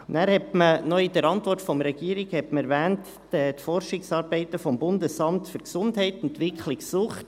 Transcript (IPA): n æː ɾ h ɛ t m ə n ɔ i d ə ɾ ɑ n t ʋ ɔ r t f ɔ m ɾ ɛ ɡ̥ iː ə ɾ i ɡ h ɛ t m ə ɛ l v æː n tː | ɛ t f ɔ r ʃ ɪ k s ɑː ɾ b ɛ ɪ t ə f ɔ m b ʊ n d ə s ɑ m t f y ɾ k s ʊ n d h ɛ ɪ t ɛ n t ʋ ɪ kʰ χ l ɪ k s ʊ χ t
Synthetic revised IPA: n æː ɾ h ɛ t m ə n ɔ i d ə ɾ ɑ n t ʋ ɔ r t f ɔ m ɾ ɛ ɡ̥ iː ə ɾ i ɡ h ɛ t m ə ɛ ɾ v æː n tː | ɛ t f ɔ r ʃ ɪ k s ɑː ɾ b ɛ ɪ t ə f ɔ m b ʊ n d ə s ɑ m t f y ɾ k s ʊ n d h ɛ ɪ t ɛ n t ʋ ɪ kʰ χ l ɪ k s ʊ χ t